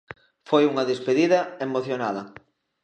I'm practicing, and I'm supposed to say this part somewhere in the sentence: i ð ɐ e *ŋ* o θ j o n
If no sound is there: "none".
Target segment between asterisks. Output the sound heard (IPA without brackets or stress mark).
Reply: m